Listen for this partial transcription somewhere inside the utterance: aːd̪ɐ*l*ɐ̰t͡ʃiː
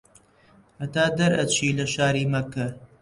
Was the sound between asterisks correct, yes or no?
no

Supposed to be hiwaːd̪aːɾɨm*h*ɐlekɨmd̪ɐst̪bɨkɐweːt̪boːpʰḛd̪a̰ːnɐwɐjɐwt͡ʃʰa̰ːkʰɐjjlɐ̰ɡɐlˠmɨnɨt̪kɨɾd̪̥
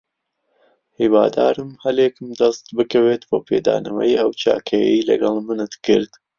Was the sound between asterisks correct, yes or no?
yes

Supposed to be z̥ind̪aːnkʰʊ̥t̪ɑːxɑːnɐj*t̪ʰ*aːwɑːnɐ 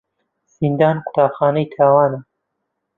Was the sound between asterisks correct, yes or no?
yes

